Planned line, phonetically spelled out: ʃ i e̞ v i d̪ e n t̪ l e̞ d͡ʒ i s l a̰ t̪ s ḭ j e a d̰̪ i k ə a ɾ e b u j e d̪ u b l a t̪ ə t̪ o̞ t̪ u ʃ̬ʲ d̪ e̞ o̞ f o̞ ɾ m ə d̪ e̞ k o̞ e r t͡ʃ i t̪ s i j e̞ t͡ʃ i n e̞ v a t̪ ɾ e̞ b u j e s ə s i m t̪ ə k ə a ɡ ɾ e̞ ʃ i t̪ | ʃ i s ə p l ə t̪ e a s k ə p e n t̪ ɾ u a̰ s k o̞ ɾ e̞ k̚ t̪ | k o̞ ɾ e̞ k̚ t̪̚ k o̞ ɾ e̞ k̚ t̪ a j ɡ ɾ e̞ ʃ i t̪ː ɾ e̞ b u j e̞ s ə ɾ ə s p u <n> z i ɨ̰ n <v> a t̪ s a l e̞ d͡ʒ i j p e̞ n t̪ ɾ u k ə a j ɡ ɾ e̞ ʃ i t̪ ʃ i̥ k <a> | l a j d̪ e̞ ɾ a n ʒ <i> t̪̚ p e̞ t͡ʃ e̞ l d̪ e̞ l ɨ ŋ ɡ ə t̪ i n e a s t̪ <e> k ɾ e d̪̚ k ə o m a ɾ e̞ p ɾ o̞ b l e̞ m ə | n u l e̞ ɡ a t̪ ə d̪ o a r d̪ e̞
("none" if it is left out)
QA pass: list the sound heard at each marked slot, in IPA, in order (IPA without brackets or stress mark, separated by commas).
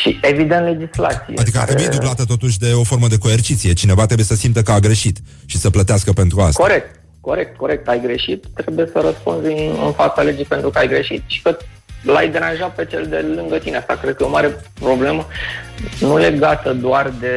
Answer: n, f, ə, a, a